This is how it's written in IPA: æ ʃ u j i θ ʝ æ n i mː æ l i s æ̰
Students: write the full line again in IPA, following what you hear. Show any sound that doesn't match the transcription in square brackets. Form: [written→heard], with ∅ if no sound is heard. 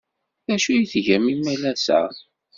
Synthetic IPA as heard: æ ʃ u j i θ ʝ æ [n→m] i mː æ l [i→æ] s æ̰